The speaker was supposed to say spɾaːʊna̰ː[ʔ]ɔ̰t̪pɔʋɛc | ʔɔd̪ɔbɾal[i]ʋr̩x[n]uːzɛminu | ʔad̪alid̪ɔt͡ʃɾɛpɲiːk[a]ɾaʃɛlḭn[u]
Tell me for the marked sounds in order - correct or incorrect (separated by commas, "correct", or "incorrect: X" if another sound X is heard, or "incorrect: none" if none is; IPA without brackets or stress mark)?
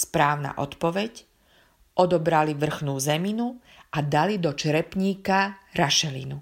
correct, correct, correct, correct, correct